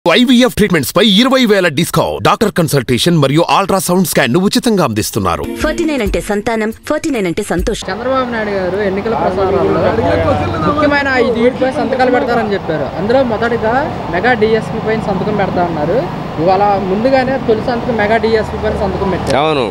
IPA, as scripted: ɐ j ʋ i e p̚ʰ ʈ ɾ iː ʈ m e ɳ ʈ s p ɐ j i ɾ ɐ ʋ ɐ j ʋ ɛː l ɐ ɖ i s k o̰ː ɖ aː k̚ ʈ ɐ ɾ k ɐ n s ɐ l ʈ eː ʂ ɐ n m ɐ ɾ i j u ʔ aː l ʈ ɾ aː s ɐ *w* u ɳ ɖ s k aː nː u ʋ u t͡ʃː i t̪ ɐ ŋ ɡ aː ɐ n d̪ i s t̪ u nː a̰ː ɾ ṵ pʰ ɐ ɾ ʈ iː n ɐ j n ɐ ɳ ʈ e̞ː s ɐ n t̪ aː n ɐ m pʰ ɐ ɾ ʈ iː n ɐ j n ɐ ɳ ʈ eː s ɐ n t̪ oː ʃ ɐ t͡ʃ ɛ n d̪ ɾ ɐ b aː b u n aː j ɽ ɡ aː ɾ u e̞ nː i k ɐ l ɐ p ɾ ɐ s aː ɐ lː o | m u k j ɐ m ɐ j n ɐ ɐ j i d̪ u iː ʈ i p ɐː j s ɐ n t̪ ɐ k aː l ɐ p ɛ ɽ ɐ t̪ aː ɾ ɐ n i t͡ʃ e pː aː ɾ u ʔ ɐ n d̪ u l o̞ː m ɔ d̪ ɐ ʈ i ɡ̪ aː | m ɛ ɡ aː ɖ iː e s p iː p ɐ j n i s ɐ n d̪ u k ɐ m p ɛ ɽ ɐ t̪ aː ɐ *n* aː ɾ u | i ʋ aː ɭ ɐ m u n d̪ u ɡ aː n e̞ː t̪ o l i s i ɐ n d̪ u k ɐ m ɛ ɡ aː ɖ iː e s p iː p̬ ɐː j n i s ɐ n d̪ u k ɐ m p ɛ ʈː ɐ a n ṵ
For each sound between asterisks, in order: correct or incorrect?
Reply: correct, incorrect

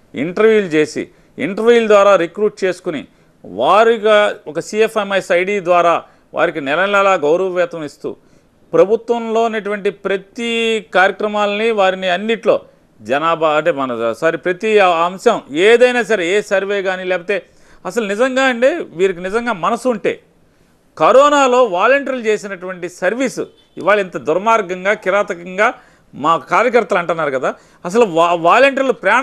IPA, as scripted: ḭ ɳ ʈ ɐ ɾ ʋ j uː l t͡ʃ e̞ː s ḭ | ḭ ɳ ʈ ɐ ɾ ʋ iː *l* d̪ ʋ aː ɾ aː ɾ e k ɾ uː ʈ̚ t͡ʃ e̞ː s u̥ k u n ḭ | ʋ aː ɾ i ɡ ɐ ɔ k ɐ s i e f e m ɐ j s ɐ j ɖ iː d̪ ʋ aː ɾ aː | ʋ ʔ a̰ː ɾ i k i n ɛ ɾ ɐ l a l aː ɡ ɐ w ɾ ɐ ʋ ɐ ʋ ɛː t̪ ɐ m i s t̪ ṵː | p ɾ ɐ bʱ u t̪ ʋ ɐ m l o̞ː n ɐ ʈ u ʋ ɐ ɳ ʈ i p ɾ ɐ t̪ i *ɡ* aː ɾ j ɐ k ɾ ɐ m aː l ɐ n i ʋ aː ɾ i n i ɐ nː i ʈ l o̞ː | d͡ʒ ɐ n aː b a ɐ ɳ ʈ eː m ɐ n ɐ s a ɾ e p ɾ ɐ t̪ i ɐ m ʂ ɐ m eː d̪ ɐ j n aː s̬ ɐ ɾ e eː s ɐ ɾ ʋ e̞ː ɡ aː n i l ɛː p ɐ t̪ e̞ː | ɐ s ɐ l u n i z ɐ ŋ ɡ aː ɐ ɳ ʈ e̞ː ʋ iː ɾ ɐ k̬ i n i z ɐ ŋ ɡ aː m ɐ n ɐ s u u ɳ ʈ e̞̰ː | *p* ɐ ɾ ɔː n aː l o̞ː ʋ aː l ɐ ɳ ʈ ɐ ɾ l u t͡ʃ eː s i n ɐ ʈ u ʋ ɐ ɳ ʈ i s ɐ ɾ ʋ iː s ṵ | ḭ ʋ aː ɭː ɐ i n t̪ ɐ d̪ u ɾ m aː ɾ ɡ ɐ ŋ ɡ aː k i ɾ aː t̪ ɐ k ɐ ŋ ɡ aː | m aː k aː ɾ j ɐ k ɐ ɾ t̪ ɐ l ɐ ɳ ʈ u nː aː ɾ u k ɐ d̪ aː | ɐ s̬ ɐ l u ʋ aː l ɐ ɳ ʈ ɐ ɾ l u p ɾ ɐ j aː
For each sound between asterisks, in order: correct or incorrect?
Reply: correct, incorrect, incorrect

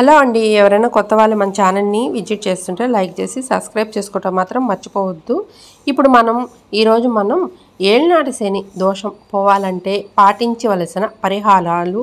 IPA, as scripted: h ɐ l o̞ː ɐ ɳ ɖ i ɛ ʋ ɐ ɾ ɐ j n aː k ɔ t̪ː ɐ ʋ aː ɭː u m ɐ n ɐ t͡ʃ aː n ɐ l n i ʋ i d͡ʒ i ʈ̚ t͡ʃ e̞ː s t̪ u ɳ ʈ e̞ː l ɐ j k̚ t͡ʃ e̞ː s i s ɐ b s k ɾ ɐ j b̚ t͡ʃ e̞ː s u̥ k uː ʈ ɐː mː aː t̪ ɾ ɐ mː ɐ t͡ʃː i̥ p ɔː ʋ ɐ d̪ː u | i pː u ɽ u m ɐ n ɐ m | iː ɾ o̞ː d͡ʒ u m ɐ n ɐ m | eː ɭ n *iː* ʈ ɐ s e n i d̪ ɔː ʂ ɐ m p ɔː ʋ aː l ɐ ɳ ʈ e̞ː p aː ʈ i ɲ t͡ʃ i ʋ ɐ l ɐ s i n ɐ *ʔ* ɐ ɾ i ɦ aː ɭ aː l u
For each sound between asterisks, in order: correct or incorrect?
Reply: incorrect, incorrect

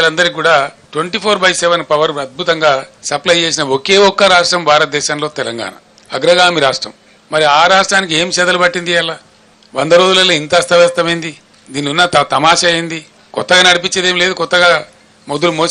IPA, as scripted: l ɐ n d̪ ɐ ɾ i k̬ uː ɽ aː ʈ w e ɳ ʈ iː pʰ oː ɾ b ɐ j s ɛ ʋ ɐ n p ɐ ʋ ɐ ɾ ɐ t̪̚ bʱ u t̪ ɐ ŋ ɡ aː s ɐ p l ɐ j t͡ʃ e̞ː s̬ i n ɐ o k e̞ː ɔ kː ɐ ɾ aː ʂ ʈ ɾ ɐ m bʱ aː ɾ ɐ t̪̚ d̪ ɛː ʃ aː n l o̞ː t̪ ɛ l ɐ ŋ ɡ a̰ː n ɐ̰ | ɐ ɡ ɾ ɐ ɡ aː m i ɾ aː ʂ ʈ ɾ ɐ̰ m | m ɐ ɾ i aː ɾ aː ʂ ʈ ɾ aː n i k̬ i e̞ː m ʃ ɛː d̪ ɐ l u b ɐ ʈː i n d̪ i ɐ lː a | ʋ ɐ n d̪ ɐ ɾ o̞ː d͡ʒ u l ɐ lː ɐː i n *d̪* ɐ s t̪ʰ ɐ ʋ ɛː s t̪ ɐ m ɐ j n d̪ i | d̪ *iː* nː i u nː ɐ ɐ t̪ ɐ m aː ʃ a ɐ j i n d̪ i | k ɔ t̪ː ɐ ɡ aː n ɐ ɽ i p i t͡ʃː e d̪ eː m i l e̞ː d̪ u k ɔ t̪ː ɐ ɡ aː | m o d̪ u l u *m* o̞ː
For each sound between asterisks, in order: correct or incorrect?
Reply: incorrect, correct, correct

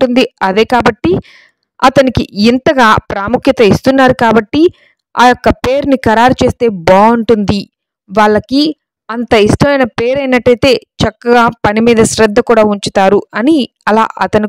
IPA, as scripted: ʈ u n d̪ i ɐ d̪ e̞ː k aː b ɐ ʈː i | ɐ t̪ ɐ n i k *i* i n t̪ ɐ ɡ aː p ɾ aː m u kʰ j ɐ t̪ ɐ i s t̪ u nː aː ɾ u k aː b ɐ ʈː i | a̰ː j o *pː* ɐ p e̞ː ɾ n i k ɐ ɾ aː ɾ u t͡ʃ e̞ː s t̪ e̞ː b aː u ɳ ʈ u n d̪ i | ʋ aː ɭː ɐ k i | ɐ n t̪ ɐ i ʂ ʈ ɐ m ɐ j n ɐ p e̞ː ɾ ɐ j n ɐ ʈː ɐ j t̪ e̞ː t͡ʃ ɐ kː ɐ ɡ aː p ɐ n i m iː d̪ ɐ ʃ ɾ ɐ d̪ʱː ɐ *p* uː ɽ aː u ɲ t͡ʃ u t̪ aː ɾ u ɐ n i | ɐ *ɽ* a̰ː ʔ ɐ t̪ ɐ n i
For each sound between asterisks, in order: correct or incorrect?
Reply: correct, incorrect, incorrect, incorrect

